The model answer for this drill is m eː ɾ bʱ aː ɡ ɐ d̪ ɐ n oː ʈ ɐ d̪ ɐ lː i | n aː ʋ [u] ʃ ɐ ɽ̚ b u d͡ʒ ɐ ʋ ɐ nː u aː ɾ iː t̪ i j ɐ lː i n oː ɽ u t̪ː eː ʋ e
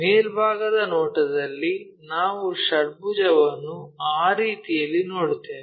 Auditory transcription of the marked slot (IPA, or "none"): u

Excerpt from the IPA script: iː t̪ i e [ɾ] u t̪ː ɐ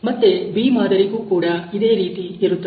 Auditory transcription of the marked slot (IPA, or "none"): ɾ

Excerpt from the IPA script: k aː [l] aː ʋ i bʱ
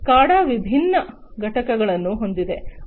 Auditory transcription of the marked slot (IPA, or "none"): ɽ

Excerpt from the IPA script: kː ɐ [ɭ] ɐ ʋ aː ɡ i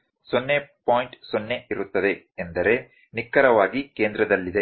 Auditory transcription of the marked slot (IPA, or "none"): ɾ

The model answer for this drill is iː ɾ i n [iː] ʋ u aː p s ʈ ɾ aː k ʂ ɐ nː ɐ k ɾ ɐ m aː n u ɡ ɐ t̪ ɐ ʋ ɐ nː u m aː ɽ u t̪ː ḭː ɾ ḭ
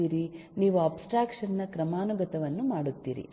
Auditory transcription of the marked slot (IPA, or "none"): iː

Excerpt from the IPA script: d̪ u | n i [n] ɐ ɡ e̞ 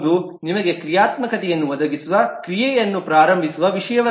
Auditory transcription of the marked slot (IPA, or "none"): m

